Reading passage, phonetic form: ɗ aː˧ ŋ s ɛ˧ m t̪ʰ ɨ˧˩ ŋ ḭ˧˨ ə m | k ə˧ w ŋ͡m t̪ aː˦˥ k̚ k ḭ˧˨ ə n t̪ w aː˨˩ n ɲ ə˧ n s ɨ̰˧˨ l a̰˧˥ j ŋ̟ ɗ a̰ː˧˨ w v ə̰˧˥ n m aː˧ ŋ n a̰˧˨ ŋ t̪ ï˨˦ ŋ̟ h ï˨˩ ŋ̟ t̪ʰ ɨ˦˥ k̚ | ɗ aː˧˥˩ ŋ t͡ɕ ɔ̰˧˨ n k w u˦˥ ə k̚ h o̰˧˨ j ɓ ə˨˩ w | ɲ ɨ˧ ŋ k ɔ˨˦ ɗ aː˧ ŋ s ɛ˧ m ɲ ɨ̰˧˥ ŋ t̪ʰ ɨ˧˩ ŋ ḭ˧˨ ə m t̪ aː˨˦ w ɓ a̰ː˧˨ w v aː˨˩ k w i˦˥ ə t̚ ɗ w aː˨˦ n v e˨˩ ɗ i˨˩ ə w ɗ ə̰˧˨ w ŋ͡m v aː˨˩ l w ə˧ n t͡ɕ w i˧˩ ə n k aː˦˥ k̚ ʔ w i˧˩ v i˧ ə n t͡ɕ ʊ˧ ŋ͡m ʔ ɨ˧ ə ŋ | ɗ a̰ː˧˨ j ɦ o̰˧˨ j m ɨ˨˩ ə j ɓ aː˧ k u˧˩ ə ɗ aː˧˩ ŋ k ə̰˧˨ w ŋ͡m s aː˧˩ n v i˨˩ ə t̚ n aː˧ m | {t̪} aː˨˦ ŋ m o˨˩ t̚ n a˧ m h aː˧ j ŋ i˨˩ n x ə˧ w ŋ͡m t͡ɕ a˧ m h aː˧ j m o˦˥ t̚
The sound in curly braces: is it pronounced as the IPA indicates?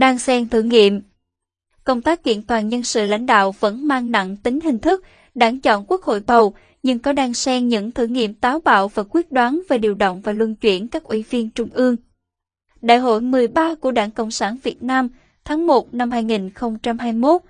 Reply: no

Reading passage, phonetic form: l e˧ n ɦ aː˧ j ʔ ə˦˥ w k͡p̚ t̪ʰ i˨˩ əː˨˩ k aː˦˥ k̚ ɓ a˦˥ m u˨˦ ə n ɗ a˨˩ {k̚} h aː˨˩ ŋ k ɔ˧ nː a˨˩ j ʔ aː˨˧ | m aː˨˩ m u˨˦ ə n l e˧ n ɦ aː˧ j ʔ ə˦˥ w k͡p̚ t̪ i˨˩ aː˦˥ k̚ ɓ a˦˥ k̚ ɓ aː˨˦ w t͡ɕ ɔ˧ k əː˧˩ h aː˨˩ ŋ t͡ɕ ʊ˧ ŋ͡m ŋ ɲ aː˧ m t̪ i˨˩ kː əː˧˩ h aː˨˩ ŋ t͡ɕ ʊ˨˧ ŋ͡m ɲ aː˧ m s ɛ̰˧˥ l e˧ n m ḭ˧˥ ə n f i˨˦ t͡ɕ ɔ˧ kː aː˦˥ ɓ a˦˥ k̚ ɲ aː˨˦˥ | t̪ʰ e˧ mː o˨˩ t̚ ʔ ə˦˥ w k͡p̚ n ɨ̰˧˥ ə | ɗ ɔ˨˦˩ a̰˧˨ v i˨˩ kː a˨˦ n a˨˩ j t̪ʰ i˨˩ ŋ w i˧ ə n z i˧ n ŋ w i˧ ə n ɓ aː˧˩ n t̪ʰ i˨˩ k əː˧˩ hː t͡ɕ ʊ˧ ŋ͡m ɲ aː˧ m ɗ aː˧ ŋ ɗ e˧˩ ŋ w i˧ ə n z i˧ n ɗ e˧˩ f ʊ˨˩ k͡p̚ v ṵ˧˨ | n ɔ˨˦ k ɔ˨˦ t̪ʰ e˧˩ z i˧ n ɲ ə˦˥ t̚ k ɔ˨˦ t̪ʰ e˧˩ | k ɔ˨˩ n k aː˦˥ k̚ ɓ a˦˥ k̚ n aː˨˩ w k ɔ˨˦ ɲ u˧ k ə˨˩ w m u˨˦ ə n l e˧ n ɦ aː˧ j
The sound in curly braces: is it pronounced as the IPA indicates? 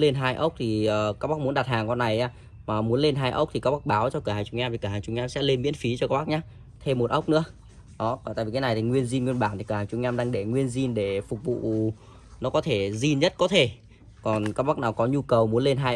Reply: no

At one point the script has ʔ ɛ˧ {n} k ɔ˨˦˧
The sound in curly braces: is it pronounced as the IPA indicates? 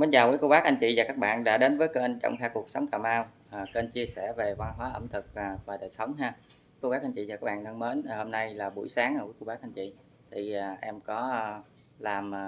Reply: no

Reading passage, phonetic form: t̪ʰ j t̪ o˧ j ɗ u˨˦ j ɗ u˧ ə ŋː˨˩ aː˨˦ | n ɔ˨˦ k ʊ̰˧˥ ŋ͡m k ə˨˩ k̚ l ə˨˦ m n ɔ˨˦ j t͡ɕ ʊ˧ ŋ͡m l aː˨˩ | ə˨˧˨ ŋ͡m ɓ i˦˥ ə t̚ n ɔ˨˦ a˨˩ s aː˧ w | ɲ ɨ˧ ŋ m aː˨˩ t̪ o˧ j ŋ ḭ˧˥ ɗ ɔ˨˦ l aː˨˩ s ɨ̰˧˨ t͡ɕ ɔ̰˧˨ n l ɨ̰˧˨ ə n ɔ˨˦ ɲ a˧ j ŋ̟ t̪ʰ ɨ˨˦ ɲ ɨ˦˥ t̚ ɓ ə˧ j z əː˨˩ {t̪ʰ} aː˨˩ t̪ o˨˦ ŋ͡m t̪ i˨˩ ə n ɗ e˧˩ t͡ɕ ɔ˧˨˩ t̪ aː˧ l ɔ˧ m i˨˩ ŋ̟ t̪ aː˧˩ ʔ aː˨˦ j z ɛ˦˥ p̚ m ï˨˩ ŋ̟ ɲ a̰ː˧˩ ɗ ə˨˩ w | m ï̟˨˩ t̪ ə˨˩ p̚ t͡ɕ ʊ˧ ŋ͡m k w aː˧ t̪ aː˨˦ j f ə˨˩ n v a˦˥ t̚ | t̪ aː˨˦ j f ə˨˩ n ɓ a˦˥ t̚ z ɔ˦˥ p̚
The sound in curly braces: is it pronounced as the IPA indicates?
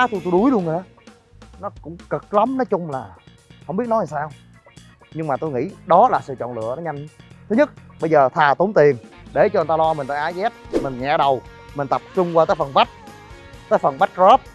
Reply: yes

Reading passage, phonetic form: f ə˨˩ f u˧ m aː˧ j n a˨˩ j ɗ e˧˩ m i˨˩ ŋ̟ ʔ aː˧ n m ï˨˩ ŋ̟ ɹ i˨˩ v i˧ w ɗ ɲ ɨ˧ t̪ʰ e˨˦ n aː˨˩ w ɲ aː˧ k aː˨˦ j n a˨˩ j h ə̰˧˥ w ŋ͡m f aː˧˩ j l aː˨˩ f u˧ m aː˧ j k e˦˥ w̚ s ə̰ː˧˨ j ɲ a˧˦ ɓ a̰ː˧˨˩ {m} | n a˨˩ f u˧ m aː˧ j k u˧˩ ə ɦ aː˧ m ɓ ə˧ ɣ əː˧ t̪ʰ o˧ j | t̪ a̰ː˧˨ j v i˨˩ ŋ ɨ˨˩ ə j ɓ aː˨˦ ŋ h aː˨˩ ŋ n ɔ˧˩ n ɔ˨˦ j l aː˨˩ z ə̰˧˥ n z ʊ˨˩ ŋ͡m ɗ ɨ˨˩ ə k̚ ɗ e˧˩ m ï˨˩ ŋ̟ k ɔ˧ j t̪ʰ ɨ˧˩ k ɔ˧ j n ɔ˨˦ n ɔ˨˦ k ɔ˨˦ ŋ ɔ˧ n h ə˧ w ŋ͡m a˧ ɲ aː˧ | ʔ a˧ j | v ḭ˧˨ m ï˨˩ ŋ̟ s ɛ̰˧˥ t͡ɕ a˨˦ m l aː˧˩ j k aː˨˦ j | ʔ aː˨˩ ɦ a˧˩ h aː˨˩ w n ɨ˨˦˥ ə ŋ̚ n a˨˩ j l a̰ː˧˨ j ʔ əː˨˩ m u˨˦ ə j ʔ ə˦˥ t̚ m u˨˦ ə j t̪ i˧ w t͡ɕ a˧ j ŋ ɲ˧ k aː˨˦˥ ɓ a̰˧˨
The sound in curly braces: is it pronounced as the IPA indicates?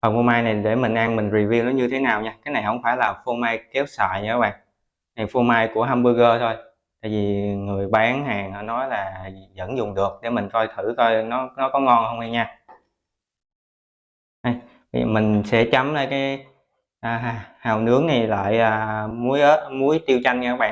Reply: no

